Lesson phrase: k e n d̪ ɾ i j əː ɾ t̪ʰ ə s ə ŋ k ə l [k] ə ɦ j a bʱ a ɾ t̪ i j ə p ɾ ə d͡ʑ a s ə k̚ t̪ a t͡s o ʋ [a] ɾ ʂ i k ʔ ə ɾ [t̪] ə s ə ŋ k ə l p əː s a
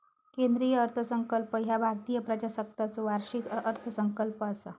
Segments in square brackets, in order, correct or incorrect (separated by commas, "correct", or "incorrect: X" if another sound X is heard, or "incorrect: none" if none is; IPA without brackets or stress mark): incorrect: p, correct, incorrect: t̪ʰ